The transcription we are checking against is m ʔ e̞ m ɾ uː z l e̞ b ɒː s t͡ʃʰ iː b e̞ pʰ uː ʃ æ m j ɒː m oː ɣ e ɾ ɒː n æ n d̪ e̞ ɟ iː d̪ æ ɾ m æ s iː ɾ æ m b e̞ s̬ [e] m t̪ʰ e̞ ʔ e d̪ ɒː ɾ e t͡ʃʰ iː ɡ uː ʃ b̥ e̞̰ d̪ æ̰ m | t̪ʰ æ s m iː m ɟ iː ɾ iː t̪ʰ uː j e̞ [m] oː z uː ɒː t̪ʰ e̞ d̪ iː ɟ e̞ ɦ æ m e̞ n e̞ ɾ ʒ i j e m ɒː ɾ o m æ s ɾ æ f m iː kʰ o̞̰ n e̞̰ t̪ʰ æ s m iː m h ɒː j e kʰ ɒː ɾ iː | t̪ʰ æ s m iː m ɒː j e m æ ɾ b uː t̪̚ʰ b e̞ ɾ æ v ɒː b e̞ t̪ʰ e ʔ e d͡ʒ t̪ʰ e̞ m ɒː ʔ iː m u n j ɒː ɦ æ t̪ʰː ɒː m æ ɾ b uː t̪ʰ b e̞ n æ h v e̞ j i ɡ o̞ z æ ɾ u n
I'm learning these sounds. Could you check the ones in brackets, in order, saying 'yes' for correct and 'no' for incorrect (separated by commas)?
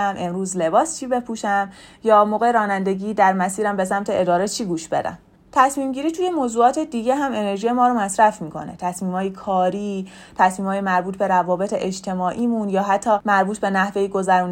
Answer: no, yes